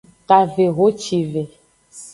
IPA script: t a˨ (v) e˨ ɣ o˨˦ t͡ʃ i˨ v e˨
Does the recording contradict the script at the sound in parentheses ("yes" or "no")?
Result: no